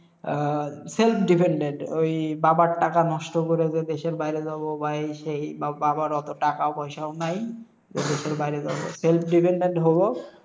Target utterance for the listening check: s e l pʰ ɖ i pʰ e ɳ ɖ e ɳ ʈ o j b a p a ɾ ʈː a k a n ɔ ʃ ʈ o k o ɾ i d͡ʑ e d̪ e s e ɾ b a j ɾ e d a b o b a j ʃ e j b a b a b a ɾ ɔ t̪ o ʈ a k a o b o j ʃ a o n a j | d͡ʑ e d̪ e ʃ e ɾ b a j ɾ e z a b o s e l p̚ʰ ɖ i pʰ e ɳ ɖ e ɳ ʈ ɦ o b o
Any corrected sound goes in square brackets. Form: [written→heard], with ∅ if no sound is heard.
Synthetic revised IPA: s e l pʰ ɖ i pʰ e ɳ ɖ e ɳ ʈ o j b a [p→b] a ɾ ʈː a k a n ɔ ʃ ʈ o k o ɾ [i→e] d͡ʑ e d̪ e [s→ʃ] e ɾ b a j ɾ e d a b o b a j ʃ e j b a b a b a ɾ ɔ t̪ o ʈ a k a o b [o→ɔ] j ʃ a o n a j | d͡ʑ e d̪ e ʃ e ɾ b a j ɾ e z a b o s e l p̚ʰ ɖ i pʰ e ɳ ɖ e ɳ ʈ ɦ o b o